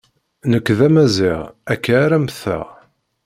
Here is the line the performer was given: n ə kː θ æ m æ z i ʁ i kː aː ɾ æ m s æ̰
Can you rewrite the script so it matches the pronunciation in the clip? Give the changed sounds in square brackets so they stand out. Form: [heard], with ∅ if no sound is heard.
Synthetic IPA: n ə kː [ð] æ m æ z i ʁ [æ] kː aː ɾ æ m [θ] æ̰